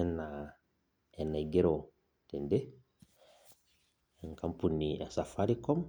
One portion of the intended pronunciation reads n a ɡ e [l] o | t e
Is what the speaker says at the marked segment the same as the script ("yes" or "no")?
no